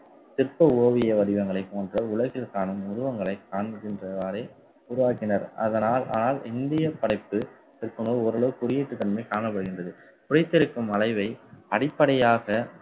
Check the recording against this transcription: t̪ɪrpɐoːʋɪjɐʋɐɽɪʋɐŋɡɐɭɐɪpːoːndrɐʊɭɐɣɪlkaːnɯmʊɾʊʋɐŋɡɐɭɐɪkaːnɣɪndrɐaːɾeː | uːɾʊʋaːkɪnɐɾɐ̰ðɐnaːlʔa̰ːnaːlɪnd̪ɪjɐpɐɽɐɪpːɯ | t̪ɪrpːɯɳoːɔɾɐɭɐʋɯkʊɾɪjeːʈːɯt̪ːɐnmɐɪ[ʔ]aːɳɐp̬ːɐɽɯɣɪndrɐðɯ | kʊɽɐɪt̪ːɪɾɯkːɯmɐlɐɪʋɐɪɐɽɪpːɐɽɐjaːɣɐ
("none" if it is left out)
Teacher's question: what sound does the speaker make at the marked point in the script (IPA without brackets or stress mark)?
k